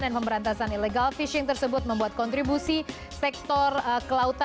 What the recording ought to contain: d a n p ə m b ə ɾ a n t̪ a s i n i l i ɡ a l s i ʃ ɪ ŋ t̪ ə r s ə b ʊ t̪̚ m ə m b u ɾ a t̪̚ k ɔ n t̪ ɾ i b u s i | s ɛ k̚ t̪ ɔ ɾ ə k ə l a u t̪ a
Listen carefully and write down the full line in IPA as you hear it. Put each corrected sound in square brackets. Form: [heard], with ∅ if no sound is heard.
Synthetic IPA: d a n p ə m b ə ɾ a n t̪ a s [a] n i l [e] ɡ a l [f] i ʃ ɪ ŋ t̪ ə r s ə b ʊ t̪̚ m ə m b u [∅] a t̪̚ k ɔ n t̪ ɾ i b u s i | s ɛ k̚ t̪ ɔ [r] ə k ə l a u t̪ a